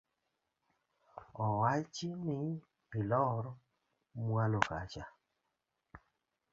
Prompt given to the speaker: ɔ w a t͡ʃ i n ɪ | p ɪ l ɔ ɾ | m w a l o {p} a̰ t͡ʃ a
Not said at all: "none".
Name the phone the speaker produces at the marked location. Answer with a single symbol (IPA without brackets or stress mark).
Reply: k